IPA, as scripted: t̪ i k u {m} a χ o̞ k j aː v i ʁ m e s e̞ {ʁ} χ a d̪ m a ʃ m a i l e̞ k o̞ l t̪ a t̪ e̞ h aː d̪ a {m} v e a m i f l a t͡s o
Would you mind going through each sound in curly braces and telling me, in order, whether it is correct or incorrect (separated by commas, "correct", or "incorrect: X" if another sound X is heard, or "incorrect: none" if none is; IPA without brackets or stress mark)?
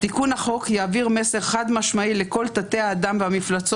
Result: incorrect: n, correct, correct